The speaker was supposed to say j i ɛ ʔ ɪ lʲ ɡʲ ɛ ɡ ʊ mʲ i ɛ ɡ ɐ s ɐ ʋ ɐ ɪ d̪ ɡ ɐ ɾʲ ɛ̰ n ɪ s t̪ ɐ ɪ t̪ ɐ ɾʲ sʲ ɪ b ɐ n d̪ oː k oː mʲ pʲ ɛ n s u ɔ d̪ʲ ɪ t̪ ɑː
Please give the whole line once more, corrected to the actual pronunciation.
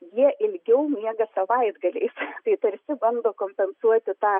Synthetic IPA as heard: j i ɛ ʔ ɪ lʲ ɡʲ ɛ ʊ mʲ i ɛ ɡ ɐ s ɐ ʋ ɐ ɪ d̪ ɡ ɐ lʲ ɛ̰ ɪ s t̪ ɐ ɪ t̪ ɐ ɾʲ sʲ ɪ b ɐ n d̪ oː k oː mʲ pʲ ɛ n s u ɔ t̪ʲ ɪ t̪ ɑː

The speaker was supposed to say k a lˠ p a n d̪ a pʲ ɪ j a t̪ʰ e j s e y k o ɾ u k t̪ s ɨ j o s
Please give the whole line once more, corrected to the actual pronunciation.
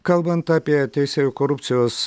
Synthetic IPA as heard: k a lˠ b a n t̪ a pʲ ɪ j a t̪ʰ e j s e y k o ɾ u p t̪ s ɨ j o s

